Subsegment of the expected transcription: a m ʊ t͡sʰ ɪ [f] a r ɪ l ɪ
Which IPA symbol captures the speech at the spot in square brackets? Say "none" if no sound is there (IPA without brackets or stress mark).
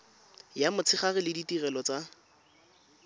χ